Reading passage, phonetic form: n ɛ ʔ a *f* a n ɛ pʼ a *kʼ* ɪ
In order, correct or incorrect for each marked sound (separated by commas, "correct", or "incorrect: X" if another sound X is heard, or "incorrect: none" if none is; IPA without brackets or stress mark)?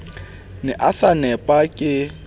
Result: incorrect: s, correct